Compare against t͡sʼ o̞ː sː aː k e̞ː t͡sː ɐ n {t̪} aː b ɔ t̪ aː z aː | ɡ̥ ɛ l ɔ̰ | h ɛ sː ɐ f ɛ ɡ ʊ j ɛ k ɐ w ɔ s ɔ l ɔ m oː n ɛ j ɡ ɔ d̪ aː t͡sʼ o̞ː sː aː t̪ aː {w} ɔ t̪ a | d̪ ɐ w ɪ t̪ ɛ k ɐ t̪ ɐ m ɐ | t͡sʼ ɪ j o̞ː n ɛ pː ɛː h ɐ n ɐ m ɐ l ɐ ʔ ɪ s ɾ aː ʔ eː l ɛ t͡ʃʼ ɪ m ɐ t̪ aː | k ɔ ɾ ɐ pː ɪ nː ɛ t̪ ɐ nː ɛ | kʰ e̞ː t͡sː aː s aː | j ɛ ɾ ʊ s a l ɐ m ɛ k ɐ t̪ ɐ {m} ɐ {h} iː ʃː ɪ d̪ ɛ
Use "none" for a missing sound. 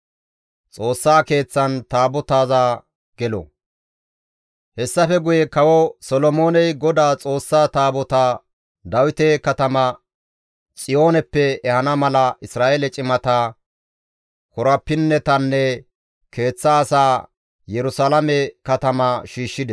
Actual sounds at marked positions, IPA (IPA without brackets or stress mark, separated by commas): t̪, b, m, ʃ